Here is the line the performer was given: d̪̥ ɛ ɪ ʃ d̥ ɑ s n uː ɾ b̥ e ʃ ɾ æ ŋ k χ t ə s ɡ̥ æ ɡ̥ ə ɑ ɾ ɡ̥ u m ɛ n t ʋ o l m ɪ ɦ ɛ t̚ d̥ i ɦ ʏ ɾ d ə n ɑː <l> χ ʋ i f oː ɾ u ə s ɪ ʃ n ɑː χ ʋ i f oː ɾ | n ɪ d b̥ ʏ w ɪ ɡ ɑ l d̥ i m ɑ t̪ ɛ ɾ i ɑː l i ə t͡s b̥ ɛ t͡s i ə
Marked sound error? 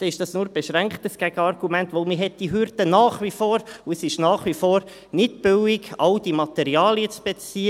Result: yes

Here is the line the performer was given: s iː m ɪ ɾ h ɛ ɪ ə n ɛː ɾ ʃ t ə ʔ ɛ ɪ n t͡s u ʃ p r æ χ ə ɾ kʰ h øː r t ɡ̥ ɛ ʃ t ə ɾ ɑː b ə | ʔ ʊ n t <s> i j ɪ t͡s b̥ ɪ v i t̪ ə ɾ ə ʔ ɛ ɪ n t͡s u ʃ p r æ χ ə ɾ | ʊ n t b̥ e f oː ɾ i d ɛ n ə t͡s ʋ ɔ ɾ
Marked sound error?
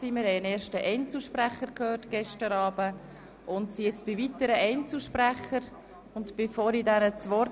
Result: no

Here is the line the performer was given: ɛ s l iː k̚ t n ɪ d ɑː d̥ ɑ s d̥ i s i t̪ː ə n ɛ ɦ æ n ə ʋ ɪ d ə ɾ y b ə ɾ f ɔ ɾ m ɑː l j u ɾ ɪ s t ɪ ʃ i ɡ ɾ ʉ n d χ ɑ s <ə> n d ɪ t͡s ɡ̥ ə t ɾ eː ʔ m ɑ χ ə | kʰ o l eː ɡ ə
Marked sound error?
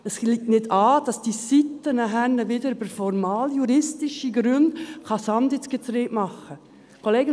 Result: yes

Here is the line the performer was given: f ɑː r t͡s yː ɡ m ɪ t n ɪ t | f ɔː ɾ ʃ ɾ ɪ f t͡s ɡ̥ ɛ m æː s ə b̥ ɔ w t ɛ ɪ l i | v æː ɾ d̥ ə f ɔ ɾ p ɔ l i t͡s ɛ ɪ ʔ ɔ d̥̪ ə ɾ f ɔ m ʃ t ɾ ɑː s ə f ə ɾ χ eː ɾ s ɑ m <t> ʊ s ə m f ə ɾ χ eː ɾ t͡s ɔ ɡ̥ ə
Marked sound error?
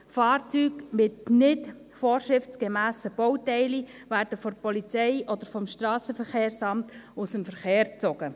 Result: no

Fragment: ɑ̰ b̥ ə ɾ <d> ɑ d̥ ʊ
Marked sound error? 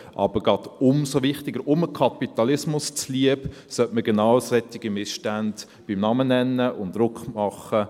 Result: yes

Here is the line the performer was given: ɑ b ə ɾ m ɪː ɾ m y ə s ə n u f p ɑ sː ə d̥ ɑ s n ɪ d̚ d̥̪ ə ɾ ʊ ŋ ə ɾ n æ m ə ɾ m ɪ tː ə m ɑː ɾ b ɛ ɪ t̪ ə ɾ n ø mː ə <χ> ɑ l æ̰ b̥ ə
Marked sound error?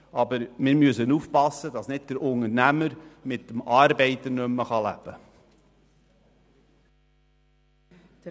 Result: no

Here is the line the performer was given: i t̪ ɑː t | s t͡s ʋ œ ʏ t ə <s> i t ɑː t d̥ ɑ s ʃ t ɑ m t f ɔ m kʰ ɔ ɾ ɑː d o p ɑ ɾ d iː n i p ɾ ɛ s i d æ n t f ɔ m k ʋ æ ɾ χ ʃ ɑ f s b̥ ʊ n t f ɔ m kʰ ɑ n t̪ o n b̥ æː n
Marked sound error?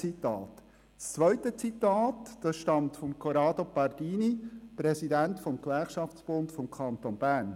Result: yes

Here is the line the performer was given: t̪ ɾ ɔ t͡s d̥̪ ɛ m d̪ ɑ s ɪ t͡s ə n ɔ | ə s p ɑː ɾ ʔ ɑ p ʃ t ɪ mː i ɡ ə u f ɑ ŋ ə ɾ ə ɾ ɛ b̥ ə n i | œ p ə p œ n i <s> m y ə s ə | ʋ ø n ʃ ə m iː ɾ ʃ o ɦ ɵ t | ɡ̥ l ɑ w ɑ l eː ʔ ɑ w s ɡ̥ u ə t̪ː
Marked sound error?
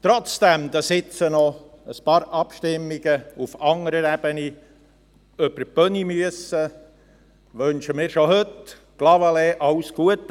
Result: yes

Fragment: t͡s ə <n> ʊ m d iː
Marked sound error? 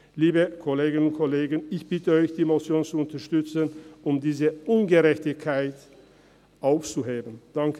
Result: no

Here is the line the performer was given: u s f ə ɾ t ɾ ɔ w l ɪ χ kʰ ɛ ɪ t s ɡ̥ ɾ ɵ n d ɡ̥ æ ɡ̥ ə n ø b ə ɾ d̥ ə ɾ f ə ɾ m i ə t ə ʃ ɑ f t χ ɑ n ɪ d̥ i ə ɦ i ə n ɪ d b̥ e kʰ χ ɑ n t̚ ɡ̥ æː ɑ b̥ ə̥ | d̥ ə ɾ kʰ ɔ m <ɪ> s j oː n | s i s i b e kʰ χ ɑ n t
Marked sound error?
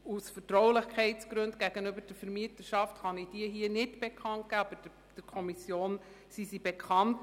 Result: yes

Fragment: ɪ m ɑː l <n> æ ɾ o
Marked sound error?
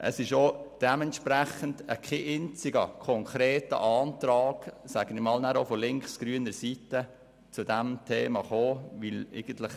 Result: no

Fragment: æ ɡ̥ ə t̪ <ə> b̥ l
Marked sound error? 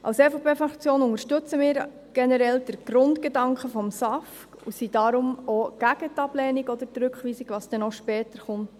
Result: yes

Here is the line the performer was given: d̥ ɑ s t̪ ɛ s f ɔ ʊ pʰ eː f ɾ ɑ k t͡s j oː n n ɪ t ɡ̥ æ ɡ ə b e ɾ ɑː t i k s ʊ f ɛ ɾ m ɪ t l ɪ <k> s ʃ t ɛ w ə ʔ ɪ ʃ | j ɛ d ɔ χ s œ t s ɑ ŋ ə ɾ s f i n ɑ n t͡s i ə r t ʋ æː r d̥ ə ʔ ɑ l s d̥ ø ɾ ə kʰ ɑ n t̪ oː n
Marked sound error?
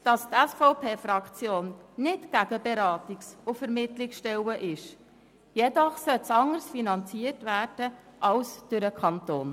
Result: no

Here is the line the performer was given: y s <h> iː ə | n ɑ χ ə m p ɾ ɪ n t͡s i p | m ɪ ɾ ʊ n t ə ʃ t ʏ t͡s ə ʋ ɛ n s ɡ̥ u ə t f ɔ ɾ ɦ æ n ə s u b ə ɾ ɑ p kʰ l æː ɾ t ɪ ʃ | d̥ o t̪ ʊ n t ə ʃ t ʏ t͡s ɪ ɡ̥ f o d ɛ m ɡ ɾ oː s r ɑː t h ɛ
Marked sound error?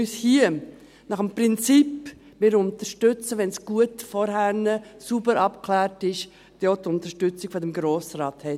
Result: no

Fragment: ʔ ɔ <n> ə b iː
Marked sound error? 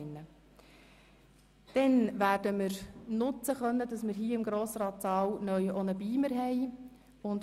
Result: no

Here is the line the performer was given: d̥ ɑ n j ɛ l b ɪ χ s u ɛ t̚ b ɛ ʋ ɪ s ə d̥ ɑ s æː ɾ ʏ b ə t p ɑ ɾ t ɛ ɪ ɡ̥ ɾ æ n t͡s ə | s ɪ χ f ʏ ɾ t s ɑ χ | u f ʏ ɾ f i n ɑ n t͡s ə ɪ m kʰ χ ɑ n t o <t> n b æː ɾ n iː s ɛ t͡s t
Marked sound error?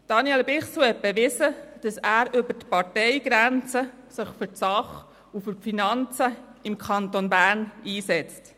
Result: yes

